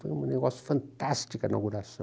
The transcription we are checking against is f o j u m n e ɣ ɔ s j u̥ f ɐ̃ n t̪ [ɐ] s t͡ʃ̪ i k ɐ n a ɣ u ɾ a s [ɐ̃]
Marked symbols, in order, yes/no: no, yes

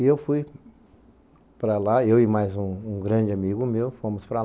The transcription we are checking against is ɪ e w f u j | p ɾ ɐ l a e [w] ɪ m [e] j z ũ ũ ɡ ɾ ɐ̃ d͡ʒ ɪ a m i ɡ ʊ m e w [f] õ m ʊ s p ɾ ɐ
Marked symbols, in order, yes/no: yes, no, yes

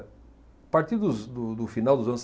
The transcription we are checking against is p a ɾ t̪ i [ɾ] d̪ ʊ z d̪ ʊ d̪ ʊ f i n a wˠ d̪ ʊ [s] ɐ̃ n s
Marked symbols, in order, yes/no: yes, no

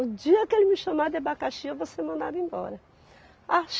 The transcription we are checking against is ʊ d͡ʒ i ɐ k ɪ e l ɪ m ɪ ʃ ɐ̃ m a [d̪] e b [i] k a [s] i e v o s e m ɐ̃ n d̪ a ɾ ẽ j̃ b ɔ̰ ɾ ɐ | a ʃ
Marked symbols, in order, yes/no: yes, no, no

